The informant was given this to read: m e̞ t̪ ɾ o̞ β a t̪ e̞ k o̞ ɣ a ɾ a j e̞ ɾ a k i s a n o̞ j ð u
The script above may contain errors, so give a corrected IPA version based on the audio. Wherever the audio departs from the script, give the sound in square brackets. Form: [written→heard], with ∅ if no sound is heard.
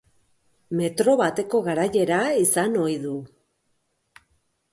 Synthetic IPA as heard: m e̞ t̪ ɾ o̞ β a t̪ e̞ k o̞ ɣ a ɾ a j e̞ ɾ a [k→∅] i s a n o̞ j ð u